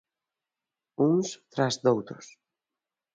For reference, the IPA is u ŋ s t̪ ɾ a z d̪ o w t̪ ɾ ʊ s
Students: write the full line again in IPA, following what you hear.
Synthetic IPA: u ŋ s t̪ ɾ a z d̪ o w t̪ ɾ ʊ s